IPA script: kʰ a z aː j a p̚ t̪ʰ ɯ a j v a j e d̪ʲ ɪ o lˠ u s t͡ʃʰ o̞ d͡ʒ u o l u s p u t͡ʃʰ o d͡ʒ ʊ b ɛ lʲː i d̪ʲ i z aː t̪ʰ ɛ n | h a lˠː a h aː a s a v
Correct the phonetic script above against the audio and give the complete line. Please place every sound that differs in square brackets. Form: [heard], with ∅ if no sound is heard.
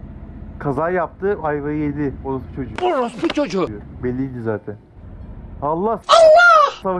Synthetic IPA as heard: kʰ a z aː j a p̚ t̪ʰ ɯ a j v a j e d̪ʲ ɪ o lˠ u s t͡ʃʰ o̞ d͡ʒ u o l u s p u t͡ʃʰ o d͡ʒ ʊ b ɛ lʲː i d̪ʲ i z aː t̪ʰ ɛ n | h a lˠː a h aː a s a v